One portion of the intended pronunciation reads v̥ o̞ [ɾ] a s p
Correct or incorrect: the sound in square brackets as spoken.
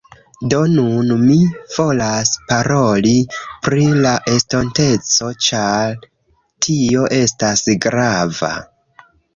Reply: incorrect: l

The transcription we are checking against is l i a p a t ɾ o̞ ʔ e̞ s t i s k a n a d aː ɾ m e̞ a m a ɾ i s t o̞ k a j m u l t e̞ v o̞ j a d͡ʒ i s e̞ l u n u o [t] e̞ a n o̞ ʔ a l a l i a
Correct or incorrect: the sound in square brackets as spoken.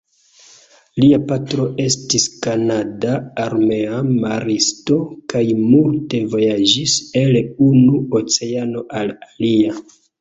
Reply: incorrect: t͡s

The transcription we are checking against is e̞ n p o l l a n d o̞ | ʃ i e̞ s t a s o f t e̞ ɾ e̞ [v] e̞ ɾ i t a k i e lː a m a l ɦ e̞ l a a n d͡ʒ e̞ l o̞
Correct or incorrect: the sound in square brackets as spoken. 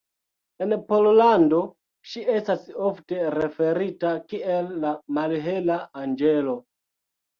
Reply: incorrect: f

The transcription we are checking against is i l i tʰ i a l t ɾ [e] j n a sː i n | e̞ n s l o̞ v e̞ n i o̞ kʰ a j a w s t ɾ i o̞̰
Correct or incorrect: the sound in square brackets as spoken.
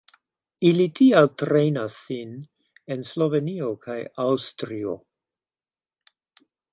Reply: correct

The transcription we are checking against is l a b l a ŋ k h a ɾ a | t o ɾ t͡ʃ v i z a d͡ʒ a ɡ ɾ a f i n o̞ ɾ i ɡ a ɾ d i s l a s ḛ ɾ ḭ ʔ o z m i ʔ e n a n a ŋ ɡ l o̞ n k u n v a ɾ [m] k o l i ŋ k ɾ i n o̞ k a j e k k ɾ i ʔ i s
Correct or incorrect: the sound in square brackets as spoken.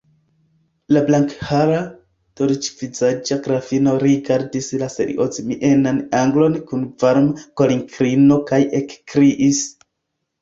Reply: correct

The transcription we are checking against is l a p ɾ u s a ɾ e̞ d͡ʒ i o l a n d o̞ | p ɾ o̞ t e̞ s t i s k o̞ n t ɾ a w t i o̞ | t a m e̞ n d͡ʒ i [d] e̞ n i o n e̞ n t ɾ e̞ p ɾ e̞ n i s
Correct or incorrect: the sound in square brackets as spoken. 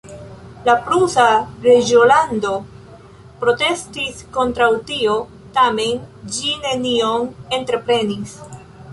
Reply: incorrect: n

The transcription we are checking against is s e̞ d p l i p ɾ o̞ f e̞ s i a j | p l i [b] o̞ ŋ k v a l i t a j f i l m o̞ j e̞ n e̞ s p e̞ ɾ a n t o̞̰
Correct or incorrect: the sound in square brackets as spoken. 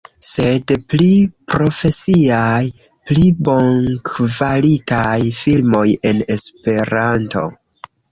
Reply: correct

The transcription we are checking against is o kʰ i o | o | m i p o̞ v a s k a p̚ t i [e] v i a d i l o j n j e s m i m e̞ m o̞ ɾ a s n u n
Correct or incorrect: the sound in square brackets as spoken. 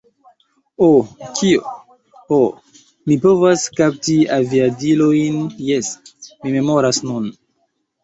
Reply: incorrect: a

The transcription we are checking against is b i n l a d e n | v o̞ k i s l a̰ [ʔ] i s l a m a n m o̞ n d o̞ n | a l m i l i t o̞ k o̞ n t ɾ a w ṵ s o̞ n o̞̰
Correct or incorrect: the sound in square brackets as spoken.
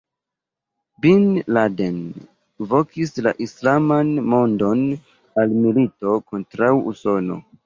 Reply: correct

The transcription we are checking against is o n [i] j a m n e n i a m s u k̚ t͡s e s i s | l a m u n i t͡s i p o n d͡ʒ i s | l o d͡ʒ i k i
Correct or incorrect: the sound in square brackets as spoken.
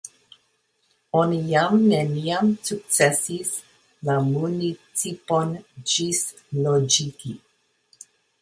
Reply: correct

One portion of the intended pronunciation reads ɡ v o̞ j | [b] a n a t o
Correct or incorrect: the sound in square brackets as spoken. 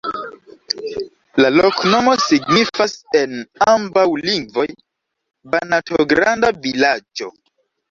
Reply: correct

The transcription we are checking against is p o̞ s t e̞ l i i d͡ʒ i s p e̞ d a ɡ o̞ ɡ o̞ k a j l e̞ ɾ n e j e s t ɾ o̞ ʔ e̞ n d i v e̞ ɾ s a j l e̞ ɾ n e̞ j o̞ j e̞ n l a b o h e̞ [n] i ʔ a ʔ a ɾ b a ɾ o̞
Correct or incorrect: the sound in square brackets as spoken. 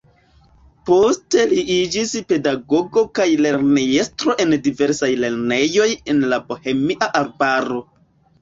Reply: incorrect: m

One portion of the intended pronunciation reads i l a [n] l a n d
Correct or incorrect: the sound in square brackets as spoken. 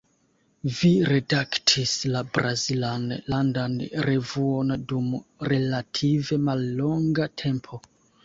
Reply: correct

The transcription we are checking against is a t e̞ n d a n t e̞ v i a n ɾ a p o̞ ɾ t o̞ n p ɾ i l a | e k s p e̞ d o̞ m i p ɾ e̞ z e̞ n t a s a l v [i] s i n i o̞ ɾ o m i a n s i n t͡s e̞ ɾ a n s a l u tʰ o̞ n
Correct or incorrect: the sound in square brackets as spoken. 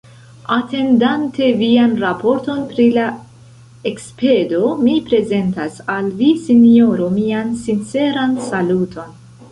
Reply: correct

